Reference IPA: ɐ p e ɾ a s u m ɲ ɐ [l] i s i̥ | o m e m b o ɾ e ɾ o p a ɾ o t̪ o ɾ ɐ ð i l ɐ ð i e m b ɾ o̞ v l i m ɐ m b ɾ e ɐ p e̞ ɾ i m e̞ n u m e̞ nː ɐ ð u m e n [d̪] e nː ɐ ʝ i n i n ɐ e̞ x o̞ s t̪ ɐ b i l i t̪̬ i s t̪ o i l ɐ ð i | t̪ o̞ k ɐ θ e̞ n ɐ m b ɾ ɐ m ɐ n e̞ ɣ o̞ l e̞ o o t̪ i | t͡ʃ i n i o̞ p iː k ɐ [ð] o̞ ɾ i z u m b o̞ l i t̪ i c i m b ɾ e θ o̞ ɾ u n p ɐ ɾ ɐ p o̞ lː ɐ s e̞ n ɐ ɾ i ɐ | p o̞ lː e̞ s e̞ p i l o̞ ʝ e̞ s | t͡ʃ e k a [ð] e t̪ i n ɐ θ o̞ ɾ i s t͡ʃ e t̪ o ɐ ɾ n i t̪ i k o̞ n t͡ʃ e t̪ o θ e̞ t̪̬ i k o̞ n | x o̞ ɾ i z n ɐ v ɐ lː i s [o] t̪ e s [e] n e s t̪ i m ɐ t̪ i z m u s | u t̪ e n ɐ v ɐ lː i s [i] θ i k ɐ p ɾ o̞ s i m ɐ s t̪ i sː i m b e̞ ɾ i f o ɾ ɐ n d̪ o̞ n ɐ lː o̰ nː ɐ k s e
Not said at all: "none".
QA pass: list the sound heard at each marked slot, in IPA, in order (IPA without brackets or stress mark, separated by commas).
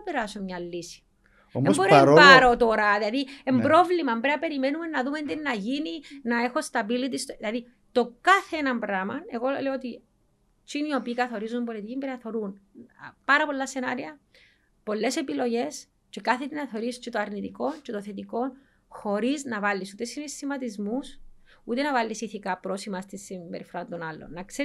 lː, d̪, θ, θ, u, i, i